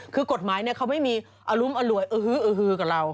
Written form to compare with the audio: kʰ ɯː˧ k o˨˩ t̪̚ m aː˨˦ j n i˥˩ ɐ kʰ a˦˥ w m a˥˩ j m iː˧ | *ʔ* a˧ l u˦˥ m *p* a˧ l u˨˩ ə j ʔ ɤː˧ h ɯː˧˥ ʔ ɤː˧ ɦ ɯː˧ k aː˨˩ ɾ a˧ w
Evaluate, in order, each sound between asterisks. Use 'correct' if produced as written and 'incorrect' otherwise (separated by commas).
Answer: correct, incorrect